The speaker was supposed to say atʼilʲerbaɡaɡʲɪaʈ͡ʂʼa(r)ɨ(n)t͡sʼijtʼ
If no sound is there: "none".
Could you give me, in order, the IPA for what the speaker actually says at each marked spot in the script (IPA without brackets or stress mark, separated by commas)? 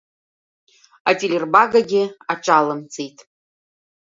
l, m